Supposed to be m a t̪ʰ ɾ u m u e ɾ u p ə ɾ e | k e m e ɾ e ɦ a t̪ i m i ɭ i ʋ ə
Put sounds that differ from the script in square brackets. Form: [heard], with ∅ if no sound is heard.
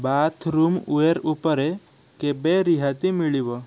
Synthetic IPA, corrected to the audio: [b] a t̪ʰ ɾ u m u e ɾ u p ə ɾ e | k e [b] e ɾ [i] ɦ a t̪ i m i ɭ i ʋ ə